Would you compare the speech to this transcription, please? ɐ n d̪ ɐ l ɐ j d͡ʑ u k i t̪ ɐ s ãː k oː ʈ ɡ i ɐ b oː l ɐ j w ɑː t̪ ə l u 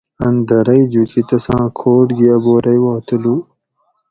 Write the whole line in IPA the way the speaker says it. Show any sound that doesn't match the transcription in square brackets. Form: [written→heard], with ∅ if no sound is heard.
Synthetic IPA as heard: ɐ n d̪ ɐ [l→ɾ] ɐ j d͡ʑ u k i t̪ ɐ s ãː [k→kʰ] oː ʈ ɡ i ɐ b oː [l→ɾ] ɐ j w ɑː t̪ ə l u

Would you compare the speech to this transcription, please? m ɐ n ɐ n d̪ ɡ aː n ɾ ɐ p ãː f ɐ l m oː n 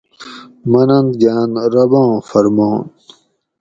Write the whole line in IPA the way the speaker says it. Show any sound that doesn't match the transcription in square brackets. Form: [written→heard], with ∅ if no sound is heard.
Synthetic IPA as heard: m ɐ n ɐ n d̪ ɡ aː n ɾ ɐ [p→b] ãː f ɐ [l→ɾ] m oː n

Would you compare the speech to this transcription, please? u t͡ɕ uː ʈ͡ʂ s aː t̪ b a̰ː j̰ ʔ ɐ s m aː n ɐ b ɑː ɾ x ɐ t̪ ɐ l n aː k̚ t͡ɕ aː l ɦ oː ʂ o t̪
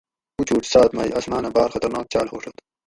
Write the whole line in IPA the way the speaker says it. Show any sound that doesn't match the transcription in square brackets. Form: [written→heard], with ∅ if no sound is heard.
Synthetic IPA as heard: u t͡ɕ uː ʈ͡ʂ s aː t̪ [b→m] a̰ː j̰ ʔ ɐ s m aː n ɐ b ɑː ɾ x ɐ t̪ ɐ [l→ɾ] n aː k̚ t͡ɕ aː l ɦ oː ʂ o t̪

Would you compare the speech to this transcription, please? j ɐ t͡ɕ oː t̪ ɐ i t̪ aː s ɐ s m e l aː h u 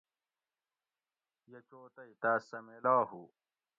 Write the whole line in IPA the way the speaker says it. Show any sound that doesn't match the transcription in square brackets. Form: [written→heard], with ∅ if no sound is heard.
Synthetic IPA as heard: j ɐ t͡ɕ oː t̪ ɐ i t̪ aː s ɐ [s→∅] m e l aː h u

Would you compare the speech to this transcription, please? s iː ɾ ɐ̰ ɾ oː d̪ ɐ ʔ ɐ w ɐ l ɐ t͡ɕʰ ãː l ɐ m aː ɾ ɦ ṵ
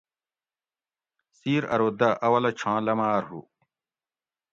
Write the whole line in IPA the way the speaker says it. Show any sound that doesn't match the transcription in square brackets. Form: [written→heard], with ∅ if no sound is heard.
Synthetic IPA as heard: s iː ɾ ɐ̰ ɾ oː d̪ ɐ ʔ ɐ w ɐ l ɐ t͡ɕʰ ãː l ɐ m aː ɾ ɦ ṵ

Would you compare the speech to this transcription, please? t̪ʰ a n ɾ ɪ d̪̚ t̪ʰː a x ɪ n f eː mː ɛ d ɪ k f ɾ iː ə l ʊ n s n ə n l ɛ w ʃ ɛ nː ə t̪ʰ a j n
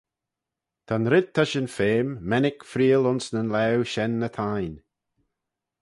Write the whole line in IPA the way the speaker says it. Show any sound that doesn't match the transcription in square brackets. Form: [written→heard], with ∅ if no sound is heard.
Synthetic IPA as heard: t̪ʰ a n ɾ ɪ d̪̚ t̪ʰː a [x→ʃ] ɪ n f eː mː ɛ [d→n] ɪ k f ɾ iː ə l ʊ n s n ə n l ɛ w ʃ ɛ nː ə t̪ʰ a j n

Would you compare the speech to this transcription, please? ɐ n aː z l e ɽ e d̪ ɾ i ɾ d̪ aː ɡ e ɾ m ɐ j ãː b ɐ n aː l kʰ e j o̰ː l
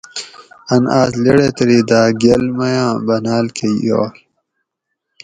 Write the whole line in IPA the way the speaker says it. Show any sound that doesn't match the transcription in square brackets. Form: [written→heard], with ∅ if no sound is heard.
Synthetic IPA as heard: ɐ n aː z l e ɽ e [d̪→t̪] ɾ i [ɾ→∅] d̪ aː ɡ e [ɾ→l] m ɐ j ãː b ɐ n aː l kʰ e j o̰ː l

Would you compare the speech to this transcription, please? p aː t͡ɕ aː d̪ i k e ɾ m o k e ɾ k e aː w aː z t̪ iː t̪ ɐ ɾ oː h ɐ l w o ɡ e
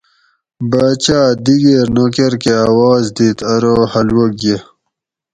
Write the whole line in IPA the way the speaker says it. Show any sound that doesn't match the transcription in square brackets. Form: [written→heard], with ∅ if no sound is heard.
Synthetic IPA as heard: [p→b] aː t͡ɕ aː d̪ i [k→ɡ] e ɾ [m→n] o k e ɾ k e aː w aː z [t̪→d̪] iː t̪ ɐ ɾ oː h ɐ l w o ɡ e

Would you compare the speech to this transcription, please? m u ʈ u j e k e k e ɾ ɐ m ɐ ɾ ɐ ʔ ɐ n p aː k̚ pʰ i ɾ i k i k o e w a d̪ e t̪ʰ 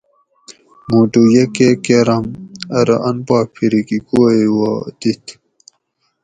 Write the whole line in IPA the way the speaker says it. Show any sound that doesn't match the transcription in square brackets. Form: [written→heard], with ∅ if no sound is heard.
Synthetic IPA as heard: m u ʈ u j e k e k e ɾ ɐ m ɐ ɾ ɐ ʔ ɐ n p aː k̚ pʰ i ɾ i k i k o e w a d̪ [e→i] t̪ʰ

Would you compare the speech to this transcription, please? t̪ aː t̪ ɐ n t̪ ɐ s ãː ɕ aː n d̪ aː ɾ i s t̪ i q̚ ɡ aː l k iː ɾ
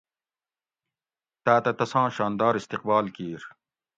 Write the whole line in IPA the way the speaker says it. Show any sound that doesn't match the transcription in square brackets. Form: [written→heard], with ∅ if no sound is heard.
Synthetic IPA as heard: t̪ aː t̪ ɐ [n→∅] t̪ ɐ s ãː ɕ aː n d̪ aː ɾ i s t̪ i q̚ [ɡ→b] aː l k iː ɾ

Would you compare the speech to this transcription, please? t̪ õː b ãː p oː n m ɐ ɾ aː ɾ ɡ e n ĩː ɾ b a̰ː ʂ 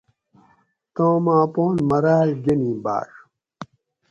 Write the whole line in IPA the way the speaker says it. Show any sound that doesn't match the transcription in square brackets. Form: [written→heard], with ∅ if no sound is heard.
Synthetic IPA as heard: t̪ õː [b→m] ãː p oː n m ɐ ɾ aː [ɾ→l] ɡ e n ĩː [ɾ→∅] b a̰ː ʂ

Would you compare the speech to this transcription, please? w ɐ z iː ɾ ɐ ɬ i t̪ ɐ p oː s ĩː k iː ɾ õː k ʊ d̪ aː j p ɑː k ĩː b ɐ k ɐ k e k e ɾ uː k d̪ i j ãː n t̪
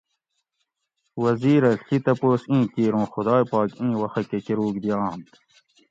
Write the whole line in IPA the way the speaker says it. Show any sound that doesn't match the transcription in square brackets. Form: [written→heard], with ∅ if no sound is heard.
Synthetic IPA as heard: w ɐ z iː ɾ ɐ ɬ i t̪ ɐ p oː s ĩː k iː ɾ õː [k→x] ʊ d̪ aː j p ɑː k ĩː [b→w] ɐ [k→x] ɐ k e k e ɾ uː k d̪ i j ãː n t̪

